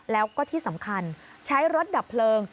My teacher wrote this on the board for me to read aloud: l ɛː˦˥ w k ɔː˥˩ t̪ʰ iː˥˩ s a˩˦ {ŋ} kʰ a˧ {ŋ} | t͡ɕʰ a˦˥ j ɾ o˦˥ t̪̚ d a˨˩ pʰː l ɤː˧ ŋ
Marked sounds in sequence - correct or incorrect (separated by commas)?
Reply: incorrect, incorrect